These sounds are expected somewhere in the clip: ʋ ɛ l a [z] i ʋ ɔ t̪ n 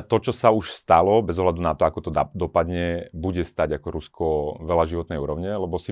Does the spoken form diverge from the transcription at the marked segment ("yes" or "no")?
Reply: yes